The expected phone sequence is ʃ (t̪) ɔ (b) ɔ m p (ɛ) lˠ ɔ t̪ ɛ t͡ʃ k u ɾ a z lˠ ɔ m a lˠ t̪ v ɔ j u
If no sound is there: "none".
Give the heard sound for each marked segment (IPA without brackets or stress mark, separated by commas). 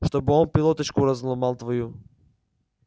t̪, b, i